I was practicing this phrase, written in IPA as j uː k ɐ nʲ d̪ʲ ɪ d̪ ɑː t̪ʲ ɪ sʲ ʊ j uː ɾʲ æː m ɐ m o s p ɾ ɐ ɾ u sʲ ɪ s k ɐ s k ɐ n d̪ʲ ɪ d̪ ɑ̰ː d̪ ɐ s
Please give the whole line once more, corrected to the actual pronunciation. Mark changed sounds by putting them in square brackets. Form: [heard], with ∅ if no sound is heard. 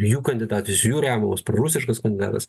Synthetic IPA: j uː k ɐ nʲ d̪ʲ ɪ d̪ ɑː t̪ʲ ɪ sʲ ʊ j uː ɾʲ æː m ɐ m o s p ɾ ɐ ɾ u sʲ ɪ [ʃ] k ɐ s k ɐ n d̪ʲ ɪ d̪ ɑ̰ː [t̪] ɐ s